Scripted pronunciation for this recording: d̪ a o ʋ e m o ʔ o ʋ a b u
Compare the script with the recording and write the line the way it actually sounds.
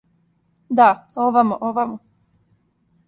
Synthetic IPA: d̪ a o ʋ a m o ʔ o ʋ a m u

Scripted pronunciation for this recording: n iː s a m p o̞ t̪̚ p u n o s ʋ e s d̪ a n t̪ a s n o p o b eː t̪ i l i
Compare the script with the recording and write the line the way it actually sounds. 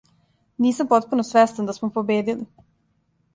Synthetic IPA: n iː s a m p o̞ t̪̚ p u n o s ʋ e s t̪ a n d̪ a s m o p o b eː d̪ i l i

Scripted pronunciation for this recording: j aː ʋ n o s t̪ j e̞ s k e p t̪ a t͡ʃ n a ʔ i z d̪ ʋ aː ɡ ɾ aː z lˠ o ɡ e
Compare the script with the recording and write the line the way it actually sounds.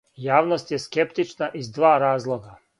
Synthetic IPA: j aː ʋ n o s t̪ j e̞ s k e p t̪ i t͡ʃ n a ʔ i z d̪ ʋ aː ɾ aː z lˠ o ɡ a

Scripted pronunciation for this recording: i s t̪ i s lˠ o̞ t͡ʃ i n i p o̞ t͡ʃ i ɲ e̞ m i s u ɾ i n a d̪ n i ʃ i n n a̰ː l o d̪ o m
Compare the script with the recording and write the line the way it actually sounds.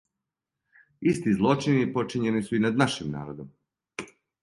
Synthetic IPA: i s t̪ i z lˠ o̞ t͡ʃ i n i p o̞ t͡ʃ i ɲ e̞ n i s u i n a d̪ n a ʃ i m n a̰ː ɾ o d̪ o m

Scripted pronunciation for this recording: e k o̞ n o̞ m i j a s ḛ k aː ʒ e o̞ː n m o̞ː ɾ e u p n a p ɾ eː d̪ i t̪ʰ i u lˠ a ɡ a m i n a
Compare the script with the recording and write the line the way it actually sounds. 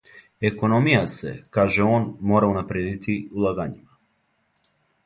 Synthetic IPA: e k o̞ n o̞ m i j a s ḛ k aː ʒ e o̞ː n m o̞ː ɾ a u n a p ɾ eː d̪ i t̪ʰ i u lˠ a ɡ a ɲ i m a

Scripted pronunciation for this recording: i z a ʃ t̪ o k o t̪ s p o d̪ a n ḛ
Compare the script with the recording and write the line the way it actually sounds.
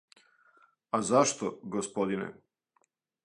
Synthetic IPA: a z a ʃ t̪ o ɡ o s p o d̪ i n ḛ

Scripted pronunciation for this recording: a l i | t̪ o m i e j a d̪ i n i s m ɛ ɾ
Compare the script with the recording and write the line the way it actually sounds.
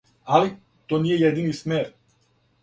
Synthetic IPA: a l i | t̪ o n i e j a d̪ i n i s m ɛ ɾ

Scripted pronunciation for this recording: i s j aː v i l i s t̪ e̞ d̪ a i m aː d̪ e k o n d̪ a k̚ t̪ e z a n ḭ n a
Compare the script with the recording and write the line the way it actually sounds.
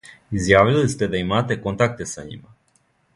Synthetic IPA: i z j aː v i l i s t̪ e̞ d̪ a i m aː t̪ e k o n t̪ a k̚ t̪ e s a ɲ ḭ m a

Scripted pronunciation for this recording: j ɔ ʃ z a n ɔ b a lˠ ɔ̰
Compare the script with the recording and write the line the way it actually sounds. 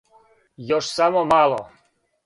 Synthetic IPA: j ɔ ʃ s a m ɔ m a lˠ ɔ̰

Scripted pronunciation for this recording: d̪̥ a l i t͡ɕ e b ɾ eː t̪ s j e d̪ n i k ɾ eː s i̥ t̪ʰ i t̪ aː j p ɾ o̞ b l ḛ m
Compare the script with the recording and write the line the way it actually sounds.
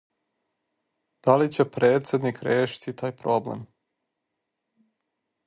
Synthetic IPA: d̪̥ a l i t͡ɕ e p ɾ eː t̪ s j e d̪ n i k ɾ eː ʃ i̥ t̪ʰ i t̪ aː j p ɾ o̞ b l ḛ m

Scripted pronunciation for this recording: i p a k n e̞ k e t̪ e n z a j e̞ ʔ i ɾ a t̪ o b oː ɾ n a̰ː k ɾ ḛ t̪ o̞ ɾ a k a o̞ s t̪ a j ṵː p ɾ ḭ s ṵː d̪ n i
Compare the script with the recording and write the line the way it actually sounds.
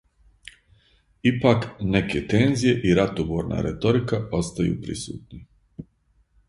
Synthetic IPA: i p a k n e̞ k e t̪ e n z i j e̞ ʔ i ɾ a t̪ o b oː ɾ n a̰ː ɾ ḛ t̪ o̞ ɾ i k a o̞ s t̪ a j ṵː p ɾ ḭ s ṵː t̪ n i

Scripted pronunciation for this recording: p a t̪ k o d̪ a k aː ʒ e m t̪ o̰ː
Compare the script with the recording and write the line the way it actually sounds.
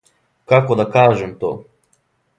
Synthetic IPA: k a k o d̪ a k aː ʒ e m t̪ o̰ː

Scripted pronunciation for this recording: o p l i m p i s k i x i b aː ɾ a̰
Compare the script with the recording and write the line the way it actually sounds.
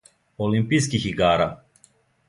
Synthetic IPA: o l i m p i s k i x i ɡ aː ɾ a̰

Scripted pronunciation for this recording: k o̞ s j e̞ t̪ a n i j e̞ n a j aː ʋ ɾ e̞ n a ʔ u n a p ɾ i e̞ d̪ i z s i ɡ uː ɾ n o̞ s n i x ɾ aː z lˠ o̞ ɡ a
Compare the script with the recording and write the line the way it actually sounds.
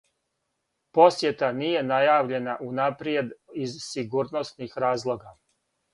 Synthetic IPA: p o̞ s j e̞ t̪ a n i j e̞ n a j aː ʋ ʎ e̞ n a ʔ u n a p ɾ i e̞ d̪ i z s i ɡ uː ɾ n o̞ s n i x ɾ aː z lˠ o̞ ɡ a

